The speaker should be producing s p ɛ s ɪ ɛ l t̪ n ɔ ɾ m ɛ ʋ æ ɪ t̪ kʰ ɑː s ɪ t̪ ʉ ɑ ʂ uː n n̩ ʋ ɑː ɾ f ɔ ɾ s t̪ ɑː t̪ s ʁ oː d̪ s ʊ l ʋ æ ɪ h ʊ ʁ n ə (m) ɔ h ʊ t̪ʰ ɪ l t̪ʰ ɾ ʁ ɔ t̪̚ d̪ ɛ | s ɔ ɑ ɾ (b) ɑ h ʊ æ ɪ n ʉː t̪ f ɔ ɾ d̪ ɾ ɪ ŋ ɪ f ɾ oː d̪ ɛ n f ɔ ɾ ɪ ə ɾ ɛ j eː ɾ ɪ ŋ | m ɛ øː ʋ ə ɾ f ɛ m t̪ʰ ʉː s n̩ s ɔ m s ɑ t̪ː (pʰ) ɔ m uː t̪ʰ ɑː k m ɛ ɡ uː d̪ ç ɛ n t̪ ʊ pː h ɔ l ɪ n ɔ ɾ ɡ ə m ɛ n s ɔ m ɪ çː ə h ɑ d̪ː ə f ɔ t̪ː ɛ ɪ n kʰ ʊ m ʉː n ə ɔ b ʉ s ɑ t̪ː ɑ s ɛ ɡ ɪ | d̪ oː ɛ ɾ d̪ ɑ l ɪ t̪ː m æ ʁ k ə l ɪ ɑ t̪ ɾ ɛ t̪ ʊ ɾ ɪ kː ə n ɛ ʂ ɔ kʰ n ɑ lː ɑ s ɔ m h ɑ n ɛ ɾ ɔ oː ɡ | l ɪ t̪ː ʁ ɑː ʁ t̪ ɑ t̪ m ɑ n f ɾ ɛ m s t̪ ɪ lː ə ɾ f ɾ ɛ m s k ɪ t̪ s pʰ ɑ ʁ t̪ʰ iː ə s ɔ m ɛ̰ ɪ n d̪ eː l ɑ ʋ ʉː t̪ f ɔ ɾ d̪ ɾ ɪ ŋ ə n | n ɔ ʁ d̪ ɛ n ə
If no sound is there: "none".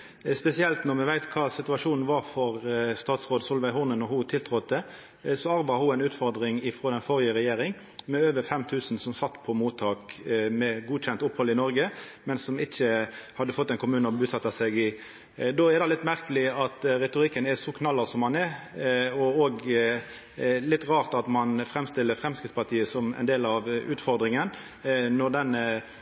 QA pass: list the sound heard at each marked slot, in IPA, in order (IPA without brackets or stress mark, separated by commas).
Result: n, b, pʰ